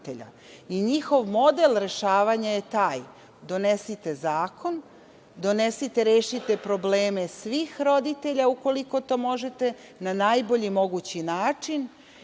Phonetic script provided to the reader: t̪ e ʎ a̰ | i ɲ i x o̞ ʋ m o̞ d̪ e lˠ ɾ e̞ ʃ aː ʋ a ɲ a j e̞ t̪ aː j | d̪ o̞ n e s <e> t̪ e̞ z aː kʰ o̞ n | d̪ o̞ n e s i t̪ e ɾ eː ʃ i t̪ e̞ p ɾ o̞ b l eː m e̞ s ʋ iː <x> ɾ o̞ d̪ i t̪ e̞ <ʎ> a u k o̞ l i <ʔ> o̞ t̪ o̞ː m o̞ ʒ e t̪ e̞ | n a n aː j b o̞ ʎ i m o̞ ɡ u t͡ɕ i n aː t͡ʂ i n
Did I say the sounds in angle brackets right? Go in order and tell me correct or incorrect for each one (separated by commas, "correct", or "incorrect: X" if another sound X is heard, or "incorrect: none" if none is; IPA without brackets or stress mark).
incorrect: i, correct, correct, incorrect: k